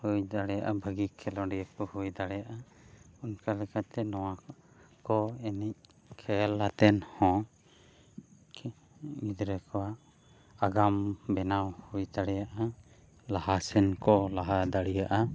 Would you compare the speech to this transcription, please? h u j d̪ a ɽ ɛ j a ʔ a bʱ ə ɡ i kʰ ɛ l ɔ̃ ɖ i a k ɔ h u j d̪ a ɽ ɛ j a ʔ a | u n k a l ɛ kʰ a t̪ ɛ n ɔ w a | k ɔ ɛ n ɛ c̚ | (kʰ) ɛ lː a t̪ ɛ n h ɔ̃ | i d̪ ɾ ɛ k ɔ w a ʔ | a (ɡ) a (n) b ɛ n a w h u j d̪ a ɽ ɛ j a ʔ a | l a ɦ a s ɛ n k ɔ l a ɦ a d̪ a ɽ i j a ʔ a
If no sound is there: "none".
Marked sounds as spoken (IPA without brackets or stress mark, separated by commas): kʰ, ɡ, m